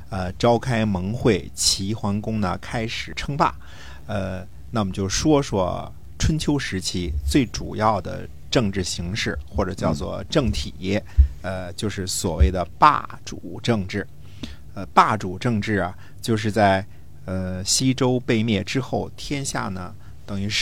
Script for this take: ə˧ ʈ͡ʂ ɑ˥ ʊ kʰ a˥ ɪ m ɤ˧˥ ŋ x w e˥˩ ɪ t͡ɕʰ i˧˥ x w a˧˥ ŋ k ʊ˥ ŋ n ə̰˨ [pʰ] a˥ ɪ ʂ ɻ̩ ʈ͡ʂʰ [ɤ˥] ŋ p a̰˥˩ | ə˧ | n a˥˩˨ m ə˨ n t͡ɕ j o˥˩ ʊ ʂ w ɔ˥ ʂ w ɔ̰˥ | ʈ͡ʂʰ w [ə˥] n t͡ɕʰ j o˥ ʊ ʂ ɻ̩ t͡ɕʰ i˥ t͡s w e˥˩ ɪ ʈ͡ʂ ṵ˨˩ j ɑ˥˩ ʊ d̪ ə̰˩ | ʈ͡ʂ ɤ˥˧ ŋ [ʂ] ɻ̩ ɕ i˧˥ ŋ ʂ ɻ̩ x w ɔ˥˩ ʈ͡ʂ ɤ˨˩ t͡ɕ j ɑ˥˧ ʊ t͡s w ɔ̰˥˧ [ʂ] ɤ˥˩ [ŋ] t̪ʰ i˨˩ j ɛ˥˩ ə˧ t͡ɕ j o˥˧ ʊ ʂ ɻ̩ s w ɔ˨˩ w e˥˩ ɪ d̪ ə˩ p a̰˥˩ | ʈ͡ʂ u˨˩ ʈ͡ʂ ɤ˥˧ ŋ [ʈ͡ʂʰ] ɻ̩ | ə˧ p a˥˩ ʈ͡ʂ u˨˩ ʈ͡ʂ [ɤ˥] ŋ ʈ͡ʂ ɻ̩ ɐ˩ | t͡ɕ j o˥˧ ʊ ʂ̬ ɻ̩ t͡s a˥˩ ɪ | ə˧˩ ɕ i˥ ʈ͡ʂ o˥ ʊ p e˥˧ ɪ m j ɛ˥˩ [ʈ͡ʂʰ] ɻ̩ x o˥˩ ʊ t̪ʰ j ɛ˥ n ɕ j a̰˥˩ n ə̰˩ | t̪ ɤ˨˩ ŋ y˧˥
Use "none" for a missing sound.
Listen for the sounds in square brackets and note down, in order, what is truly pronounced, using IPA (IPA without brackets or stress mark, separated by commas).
kʰ, ɤ˥, ə˥, ʈ͡ʂ, ʈ͡ʂ, ŋ, ʈ͡ʂ, ɤ˥˧, ʈ͡ʂ